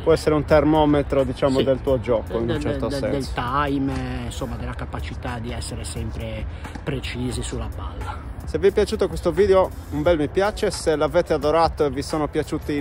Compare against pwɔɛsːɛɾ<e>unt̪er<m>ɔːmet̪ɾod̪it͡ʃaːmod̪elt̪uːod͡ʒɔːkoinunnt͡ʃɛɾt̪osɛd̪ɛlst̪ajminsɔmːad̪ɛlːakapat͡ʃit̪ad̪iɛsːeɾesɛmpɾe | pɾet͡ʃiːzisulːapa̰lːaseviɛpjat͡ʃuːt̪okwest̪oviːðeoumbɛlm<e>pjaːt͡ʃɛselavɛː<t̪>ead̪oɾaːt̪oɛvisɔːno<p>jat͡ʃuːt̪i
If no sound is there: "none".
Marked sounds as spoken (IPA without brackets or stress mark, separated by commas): e, m, i, t̪, p